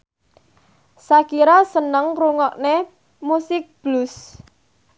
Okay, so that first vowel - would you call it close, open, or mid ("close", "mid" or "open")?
open